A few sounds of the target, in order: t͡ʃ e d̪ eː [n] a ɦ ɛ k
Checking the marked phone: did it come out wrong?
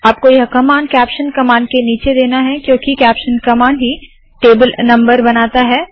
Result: no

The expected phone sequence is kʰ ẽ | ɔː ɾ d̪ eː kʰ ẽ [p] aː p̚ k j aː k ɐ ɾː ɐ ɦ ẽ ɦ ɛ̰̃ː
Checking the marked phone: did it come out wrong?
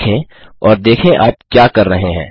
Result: yes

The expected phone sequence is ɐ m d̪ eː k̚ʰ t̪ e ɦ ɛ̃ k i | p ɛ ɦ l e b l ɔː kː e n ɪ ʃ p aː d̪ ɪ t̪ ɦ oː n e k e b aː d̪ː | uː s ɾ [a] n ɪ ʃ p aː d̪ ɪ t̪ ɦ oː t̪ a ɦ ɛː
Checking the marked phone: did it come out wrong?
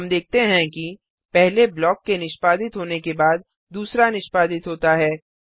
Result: no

